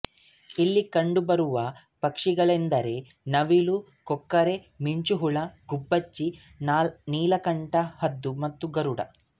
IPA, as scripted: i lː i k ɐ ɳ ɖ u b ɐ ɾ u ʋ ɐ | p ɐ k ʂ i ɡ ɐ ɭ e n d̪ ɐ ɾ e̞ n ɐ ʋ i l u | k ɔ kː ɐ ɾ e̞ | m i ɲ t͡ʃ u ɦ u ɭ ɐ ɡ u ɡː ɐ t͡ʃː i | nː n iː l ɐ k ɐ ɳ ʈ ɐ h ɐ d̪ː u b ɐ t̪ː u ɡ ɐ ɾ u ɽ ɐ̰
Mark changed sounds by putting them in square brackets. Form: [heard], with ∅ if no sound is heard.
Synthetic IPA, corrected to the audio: i lː i k ɐ ɳ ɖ u b ɐ ɾ u ʋ ɐ | p ɐ k ʂ i ɡ ɐ ɭ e n d̪ ɐ ɾ e̞ n ɐ ʋ i l u | k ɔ kː ɐ ɾ e̞ | m i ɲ t͡ʃ u ɦ u ɭ ɐ ɡ u [bː] ɐ t͡ʃː i | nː n iː l ɐ k ɐ ɳ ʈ ɐ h ɐ d̪ː u [m] ɐ t̪ː u ɡ ɐ ɾ u ɽ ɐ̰